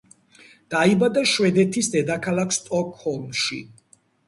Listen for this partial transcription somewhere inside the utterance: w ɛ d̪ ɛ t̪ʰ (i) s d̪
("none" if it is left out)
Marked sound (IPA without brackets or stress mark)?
i